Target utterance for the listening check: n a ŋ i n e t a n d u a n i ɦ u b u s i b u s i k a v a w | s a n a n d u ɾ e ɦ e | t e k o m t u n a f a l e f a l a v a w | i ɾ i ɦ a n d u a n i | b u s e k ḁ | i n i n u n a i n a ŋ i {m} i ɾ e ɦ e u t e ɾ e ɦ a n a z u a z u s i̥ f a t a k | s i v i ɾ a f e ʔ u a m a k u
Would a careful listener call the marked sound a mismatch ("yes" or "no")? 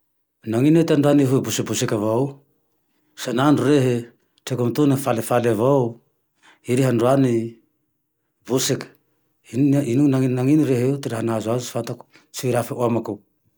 yes